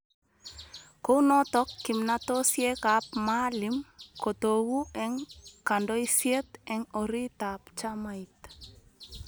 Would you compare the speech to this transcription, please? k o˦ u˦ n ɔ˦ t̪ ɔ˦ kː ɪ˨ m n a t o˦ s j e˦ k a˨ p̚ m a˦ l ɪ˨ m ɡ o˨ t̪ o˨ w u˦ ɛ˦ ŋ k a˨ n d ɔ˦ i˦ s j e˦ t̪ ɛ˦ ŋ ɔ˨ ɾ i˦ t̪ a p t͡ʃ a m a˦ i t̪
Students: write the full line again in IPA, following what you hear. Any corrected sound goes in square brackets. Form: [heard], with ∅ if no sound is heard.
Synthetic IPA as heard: k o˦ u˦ n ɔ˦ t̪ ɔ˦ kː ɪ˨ m n a t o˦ s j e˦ k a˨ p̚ m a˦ l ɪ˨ m [k] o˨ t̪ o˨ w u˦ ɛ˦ ŋ k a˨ n d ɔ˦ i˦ s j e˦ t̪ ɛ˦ ŋ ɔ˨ ɾ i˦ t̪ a p t͡ʃ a m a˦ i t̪